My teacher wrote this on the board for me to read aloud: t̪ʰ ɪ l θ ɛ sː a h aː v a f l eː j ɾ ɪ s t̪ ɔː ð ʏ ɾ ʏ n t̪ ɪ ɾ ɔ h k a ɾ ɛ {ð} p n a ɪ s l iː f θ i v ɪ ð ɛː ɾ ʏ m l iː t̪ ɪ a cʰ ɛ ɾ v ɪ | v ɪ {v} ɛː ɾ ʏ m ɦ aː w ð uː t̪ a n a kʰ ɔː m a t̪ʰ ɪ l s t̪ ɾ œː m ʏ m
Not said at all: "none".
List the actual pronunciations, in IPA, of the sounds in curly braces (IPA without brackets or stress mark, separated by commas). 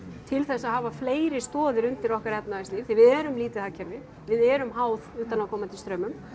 none, ð